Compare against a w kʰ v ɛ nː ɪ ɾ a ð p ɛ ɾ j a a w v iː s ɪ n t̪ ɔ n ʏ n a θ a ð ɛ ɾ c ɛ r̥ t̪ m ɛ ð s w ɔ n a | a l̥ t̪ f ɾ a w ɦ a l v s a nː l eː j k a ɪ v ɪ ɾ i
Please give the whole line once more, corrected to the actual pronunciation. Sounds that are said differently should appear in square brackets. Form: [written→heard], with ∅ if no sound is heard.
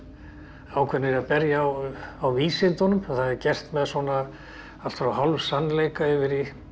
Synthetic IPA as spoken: a w kʰ v ɛ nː ɪ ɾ a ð p ɛ ɾ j a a w v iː s ɪ n t̪ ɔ n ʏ [n→m] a θ a ð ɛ ɾ c ɛ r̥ t̪ m ɛ ð s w ɔ n a | a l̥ t̪ f ɾ a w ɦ a l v s a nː l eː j k a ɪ v ɪ ɾ i